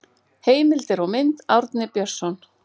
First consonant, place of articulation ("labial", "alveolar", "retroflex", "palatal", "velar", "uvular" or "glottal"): glottal